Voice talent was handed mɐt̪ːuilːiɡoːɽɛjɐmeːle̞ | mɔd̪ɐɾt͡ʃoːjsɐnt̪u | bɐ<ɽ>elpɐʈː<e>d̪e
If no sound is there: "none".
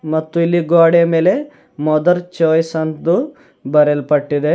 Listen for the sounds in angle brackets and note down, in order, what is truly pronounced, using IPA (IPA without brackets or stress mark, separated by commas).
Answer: ɾ, i